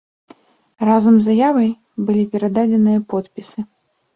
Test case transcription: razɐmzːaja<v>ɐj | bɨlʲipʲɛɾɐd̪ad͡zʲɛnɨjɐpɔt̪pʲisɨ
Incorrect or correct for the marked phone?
correct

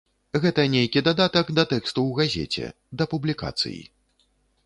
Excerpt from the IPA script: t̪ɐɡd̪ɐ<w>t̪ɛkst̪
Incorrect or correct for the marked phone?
incorrect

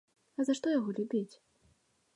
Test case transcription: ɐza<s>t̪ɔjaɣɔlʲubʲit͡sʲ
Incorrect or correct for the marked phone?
incorrect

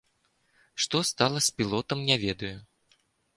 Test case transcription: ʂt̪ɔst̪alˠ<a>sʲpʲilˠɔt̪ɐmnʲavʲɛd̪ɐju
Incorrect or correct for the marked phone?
incorrect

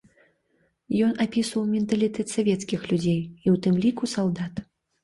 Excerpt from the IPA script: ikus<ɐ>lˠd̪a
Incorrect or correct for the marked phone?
incorrect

